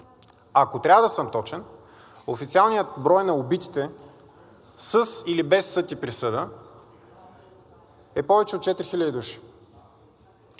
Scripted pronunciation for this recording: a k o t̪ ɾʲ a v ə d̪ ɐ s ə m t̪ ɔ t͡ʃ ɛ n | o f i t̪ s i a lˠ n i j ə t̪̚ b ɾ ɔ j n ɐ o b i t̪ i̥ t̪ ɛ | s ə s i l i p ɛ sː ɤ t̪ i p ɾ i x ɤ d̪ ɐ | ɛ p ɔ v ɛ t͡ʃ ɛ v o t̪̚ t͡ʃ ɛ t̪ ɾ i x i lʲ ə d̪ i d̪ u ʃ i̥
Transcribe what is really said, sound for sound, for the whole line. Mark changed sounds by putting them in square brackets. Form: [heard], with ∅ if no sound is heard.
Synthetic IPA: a k o t̪ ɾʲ a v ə d̪ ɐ s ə m t̪ ɔ t͡ʃ ɛ n | o f i t̪ s i a lˠ n i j ə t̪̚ b ɾ ɔ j n ɐ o b i t̪ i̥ t̪ ɛ | s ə s i l i [b] ɛ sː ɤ t̪ i p ɾ i [s] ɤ d̪ [ə] | ɛ p ɔ v ɛ t͡ʃ ɛ [∅] o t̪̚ t͡ʃ ɛ t̪ ɾ i x i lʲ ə d̪ i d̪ u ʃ i̥

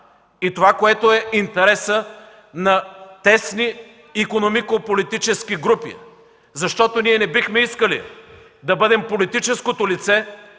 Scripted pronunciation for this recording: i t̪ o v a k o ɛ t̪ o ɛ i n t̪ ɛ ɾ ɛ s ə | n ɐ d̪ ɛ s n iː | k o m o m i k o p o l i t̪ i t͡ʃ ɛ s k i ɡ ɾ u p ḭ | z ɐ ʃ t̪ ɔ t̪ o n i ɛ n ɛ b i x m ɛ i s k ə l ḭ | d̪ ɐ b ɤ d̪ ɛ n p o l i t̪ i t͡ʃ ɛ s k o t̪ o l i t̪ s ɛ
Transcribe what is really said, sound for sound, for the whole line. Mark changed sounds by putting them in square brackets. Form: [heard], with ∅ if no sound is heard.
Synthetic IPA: i t̪ o v a k o ɛ t̪ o ɛ i n t̪ ɛ ɾ ɛ s ə | n ɐ [t̪] ɛ s n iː | k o [n] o m i k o p o l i t̪ i t͡ʃ ɛ s k i ɡ ɾ u p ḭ | z ɐ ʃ t̪ ɔ t̪ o n i ɛ n ɛ b i x m ɛ i s k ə l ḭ | d̪ ɐ b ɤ d̪ ɛ [m] p o l i t̪ i t͡ʃ ɛ s k o t̪ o l i t̪ s ɛ

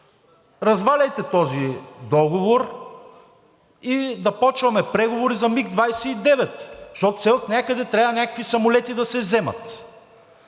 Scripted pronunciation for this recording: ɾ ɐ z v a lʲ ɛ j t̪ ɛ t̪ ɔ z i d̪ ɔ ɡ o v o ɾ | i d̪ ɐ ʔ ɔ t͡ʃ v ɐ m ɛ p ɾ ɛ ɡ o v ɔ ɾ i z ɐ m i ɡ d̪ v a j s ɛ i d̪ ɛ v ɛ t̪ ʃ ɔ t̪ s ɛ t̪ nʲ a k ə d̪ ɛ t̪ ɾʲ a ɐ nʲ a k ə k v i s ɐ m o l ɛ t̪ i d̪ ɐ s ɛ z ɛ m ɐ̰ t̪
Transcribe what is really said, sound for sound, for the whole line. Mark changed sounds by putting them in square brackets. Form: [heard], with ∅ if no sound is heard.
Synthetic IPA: ɾ ɐ z v a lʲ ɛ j t̪ ɛ t̪ ɔ z i d̪ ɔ ɡ o v o ɾ | i d̪ ɐ [p] ɔ t͡ʃ v ɐ m ɛ p ɾ ɛ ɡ o v [o] ɾ i z ɐ m i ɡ d̪ v a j s ɛ i d̪ ɛ v ɛ t̪ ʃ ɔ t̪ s ɛ t̪ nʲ a k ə d̪ ɛ t̪ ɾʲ a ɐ nʲ a k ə k v i s ɐ m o l ɛ t̪ i d̪ ɐ s ɛ z ɛ m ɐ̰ t̪

